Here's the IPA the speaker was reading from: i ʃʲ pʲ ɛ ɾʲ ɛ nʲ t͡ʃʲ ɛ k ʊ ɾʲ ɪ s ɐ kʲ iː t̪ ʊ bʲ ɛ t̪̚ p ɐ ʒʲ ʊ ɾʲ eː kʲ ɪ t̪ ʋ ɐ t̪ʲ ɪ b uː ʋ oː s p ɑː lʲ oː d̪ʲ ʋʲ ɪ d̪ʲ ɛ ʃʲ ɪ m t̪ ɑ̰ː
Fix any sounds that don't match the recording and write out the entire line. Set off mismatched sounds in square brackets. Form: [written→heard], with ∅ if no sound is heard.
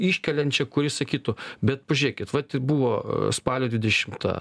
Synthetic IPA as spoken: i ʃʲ [pʲ→kʲ] ɛ [ɾʲ→lʲ] ɛ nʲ t͡ʃʲ ɛ k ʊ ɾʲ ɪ s ɐ kʲ iː t̪ ʊ bʲ ɛ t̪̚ p ɐ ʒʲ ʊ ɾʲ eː kʲ ɪ t̪ ʋ ɐ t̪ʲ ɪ b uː ʋ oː s p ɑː lʲ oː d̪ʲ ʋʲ ɪ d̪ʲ ɛ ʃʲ ɪ m t̪ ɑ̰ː